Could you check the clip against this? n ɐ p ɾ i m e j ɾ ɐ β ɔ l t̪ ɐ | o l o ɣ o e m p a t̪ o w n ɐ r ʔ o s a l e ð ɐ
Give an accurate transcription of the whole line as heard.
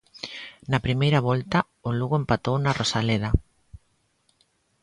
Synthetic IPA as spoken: n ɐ p ɾ i m e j ɾ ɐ β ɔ l t̪ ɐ | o l u ɣ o e m p a t̪ o w n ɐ r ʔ o s a l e ð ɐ